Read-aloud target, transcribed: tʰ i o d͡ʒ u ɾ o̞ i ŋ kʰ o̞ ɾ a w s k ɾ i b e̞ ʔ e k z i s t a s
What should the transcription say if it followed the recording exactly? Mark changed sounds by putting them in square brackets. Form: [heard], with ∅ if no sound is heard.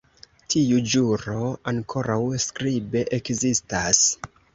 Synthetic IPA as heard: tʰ i [u] d͡ʒ u ɾ o̞ [a] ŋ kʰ o̞ ɾ a w s k ɾ i b e̞ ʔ e k z i s t a s